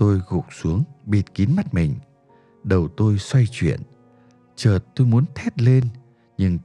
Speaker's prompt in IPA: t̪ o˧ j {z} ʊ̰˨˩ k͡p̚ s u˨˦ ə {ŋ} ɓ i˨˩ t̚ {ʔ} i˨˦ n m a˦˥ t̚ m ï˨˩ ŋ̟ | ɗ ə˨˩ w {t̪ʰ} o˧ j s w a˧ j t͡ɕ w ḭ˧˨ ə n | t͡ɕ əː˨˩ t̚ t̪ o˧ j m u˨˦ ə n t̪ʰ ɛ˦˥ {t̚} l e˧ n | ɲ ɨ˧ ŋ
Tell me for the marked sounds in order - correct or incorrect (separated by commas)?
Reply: incorrect, correct, incorrect, incorrect, correct